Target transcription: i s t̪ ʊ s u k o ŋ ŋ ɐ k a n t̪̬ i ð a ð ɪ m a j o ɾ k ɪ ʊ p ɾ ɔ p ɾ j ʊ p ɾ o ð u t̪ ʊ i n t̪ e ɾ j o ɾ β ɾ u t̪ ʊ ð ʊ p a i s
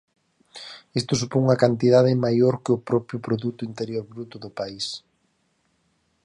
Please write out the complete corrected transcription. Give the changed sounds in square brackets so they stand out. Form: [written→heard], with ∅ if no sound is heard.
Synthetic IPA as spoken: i s t̪ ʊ s u [k→p] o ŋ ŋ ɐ k a n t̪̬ i ð a ð ɪ m a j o ɾ k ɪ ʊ p ɾ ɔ p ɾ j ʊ p ɾ o ð u t̪ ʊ i n t̪ e ɾ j o ɾ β ɾ u t̪ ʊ ð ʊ p a i s